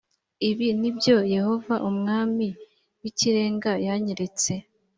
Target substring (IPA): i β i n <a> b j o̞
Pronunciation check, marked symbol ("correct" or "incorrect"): incorrect